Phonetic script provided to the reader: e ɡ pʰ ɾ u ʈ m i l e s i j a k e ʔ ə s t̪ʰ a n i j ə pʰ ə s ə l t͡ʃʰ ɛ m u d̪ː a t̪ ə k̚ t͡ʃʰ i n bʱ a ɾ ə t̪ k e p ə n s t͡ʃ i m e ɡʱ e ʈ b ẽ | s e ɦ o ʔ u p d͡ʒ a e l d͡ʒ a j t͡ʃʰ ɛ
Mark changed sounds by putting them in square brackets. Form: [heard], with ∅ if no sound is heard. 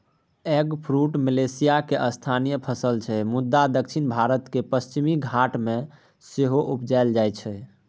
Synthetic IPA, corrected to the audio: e ɡ pʰ ɾ u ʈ m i l e s i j a k e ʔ ə s t̪ʰ a n i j ə pʰ ə s ə l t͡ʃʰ ɛ m u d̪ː a [d̪] ə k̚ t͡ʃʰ i n bʱ a ɾ ə t̪ k e p ə [∅] s t͡ʃ i m [i] ɡʱ [a] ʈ [m] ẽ | s e ɦ o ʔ u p d͡ʒ a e l d͡ʒ a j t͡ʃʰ ɛ